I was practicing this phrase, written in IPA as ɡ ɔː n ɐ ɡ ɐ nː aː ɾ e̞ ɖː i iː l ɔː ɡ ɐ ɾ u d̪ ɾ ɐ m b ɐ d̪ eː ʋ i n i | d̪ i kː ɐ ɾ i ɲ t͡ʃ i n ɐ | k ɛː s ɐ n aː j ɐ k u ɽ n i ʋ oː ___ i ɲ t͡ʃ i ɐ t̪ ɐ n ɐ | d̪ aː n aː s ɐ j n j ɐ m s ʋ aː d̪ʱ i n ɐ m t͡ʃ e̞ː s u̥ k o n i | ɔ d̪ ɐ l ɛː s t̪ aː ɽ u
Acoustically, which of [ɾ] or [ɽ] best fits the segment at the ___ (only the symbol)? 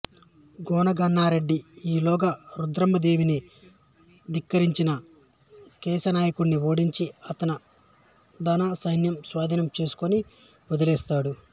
ɽ